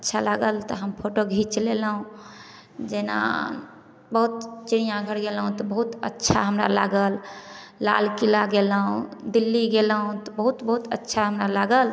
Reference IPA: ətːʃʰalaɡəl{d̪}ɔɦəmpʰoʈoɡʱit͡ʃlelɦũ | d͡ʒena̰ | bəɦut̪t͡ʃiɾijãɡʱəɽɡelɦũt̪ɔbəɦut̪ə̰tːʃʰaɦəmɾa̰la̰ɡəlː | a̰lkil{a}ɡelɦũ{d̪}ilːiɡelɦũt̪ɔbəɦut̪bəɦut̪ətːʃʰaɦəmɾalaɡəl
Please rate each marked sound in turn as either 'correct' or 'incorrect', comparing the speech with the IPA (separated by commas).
incorrect, correct, correct